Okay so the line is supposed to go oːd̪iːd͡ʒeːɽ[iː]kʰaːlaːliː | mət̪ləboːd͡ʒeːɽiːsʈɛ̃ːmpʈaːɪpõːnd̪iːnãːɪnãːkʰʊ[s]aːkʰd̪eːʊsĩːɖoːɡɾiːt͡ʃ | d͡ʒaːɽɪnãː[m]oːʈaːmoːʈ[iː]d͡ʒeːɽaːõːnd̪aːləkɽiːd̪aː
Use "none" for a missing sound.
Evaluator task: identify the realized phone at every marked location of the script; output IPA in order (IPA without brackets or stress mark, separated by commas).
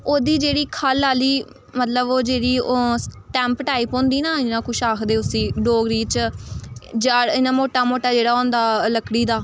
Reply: iː, ʃ, m, aː